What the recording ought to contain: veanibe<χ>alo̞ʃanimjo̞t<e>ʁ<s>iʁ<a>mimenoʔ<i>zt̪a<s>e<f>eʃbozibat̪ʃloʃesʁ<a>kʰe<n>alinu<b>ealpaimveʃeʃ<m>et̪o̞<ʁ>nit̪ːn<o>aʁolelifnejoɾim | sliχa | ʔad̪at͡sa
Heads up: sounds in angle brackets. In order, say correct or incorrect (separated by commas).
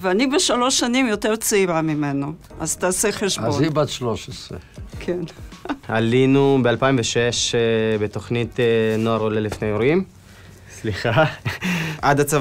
incorrect, correct, incorrect, correct, incorrect, correct, incorrect, incorrect, correct, correct, incorrect, incorrect, correct